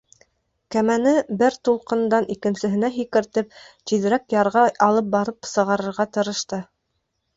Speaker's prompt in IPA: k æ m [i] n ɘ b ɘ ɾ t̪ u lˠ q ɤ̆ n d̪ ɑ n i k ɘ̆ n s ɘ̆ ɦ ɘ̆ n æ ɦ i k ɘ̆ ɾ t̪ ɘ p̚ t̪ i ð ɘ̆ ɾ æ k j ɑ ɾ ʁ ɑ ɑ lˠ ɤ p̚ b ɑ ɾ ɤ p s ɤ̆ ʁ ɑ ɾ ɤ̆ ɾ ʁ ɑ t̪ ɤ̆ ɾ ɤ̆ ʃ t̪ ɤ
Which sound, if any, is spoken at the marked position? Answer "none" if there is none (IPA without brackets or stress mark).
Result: æ